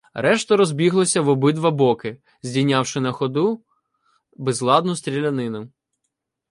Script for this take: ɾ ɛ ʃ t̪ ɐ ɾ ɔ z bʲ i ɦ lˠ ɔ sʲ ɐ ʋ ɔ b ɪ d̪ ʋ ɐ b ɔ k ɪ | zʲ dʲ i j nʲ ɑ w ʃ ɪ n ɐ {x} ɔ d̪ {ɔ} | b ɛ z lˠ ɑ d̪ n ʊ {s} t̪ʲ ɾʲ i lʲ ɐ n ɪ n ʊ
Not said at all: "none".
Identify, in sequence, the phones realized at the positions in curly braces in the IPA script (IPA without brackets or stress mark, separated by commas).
x, u, s